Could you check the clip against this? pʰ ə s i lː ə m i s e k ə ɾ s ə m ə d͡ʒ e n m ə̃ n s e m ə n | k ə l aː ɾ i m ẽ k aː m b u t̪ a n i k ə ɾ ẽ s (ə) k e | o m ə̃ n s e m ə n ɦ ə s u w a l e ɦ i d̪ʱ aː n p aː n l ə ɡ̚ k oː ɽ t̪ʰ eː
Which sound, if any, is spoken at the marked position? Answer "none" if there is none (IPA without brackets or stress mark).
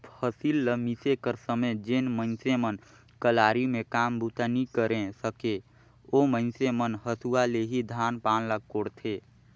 ə